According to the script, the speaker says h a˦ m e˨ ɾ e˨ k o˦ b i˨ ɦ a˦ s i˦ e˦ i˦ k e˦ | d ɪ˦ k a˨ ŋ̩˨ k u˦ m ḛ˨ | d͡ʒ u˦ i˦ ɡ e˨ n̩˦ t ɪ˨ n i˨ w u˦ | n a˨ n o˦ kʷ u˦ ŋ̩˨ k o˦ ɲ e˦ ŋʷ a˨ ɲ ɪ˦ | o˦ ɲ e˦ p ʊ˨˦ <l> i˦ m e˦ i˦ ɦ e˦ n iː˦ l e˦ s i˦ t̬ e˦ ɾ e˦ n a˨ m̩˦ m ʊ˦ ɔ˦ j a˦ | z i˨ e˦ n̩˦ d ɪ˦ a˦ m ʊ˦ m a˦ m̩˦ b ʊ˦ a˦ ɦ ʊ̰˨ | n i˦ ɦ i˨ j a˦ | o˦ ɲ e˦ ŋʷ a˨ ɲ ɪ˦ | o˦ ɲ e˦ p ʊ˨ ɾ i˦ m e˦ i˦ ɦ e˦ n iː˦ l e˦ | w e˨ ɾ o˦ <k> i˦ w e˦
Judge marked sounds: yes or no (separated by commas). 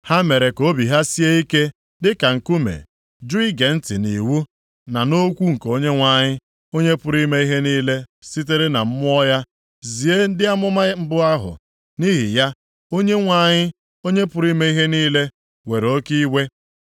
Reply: no, yes